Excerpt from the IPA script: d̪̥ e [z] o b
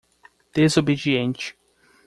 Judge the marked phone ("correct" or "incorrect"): correct